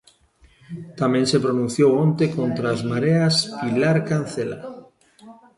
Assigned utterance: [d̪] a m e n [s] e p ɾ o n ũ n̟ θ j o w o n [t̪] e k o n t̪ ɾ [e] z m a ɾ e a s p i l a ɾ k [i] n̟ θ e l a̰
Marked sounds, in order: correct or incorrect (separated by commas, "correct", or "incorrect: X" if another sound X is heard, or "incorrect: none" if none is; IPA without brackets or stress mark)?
incorrect: t̪, correct, correct, incorrect: a, incorrect: a